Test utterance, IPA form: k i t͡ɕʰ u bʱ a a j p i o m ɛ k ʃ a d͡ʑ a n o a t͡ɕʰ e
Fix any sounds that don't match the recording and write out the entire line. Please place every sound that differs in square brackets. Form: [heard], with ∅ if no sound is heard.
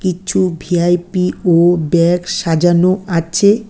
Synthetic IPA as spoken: k i t͡ɕʰ u bʱ [i] a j p i o [b] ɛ k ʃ a d͡ʑ a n o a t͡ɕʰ e

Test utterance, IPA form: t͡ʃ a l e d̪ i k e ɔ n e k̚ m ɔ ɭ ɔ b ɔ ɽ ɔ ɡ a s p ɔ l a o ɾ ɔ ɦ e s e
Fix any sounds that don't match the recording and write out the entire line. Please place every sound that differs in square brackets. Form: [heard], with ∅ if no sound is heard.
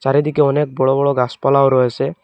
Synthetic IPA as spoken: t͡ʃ a [ɾ] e d̪ i k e ɔ n e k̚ [b] ɔ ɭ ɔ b ɔ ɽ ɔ ɡ a s p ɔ l a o ɾ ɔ ɦ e s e

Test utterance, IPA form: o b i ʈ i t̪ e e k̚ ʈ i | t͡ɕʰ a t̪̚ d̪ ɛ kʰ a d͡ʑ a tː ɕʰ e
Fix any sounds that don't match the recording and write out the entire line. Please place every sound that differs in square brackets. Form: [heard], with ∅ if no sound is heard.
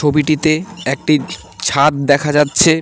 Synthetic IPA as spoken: o b i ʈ i t̪ e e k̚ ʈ i | t͡ɕʰ a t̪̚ d̪ ɛ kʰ a d͡ʑ a tː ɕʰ e

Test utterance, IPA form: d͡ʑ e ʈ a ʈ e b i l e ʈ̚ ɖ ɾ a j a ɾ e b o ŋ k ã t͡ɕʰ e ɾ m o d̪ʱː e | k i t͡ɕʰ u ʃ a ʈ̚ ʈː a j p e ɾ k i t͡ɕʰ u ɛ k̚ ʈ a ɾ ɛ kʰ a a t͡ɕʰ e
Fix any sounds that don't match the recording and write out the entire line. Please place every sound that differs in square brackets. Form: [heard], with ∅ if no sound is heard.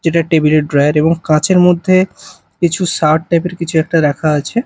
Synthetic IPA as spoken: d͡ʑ e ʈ a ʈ e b i l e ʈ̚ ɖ ɾ a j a ɾ e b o ŋ k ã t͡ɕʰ e ɾ m o d̪ʱː e | k i t͡ɕʰ u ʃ a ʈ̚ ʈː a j p e ɾ k i t͡ɕʰ u ɛ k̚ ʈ a ɾ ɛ kʰ a a t͡ɕʰ e

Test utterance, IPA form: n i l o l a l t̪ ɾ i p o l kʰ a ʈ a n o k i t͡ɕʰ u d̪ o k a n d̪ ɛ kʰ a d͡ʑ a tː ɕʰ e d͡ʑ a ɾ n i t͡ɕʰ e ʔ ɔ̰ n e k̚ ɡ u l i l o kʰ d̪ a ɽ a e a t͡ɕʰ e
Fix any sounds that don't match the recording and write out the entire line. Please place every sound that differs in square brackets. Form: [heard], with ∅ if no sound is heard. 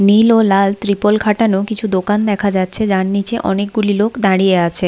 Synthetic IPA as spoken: n i l o l a l t̪ ɾ i p o l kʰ a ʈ a n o k i t͡ɕʰ u d̪ o k a n d̪ ɛ kʰ a d͡ʑ a tː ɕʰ e d͡ʑ a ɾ n i [t͡ɕ] e ʔ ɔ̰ n e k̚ ɡ u l i l o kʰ d̪ a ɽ [i] e a t͡ɕʰ e

